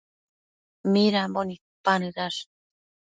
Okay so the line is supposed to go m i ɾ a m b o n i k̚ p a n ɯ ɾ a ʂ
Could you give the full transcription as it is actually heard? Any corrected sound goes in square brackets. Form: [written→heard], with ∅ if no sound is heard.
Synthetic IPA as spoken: m i ɾ a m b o n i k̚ p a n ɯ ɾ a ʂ